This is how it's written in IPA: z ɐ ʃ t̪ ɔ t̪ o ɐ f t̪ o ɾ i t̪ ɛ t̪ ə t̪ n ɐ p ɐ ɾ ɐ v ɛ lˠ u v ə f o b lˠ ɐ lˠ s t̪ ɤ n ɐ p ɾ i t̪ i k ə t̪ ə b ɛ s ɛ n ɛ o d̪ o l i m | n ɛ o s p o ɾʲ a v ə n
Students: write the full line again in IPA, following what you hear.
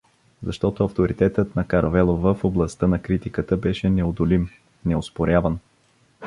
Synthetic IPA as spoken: z ɐ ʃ t̪ ɔ t̪ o ɐ f t̪ o ɾ i t̪ ɛ t̪ ə t̪ n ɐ k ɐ ɾ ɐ v ɛ lˠ o v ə f o b lˠ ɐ s t̪ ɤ n ɐ k ɾ i t̪ i k ə t̪ ə b ɛ ʃ ɛ n ɛ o d̪ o l i m | n ɛ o s p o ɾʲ a v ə n